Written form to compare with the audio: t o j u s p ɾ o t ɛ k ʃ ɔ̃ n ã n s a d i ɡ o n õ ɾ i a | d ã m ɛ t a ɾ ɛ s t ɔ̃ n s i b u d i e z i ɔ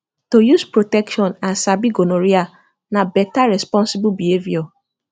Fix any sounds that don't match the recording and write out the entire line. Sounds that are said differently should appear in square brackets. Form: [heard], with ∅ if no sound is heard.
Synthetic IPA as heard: t o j u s p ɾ o t ɛ k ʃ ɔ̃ n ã n s a [b] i ɡ o n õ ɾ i a | [n] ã [b] ɛ t a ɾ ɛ s [p] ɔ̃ n s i b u [b] i e [v] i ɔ